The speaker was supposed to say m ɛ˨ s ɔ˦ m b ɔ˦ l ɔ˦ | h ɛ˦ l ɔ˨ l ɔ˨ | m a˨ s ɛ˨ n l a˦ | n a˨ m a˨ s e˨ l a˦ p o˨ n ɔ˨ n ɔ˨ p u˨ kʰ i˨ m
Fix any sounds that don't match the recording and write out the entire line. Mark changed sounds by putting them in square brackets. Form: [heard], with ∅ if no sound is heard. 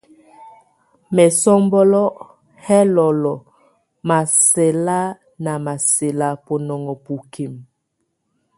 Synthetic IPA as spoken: m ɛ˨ s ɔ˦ m b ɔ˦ l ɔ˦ | h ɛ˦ l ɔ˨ l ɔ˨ | m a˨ s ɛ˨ [∅] l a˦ | n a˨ m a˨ s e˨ l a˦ p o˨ n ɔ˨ [ŋ] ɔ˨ p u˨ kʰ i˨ m